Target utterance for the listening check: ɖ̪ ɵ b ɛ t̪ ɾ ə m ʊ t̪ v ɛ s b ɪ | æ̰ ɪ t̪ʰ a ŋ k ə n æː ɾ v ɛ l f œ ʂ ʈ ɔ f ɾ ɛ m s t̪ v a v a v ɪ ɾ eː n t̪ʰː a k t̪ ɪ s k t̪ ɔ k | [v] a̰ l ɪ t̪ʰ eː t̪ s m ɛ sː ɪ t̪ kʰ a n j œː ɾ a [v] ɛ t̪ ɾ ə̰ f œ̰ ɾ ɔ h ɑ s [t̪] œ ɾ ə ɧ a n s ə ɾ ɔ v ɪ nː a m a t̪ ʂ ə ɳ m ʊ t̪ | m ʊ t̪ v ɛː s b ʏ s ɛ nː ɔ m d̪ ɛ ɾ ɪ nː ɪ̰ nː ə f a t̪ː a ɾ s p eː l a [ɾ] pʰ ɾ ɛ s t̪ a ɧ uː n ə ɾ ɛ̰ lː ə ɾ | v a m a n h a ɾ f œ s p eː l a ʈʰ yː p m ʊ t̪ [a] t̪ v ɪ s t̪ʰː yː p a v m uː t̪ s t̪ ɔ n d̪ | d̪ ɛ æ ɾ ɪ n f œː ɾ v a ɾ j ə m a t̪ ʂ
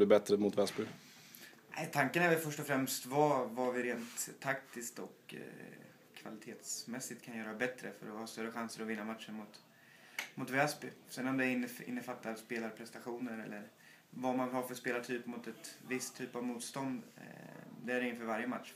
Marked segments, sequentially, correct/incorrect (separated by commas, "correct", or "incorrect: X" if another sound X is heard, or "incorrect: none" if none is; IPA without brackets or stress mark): correct, incorrect: b, correct, correct, incorrect: ɛ